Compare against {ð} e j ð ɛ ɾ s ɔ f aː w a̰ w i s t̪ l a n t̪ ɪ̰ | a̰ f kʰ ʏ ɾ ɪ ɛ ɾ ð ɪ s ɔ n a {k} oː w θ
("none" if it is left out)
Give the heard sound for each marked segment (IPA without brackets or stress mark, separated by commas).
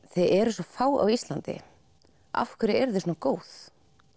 θ, k